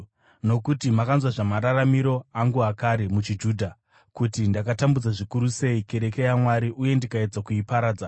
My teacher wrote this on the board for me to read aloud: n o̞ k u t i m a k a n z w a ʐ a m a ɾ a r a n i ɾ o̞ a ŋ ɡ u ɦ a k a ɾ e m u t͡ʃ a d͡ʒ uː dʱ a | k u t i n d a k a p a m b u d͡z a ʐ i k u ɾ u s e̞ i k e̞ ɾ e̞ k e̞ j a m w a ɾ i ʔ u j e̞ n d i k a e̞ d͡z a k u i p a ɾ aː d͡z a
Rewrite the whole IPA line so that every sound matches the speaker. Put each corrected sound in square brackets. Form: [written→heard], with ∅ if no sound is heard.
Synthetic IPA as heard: n o̞ k u t i m a k a n z w a ʐ a m a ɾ a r a [n→m] i ɾ o̞ a ŋ ɡ u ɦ a k a ɾ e m u t͡ʃ [a→i] d͡ʒ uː dʱ a | k u t i n d a k a [p→t] a m b u d͡z a ʐ i k u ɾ u s e̞ i k e̞ ɾ e̞ k e̞ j a m w a ɾ i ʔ u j e̞ n d i k a e̞ d͡z a k u i p a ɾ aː d͡z a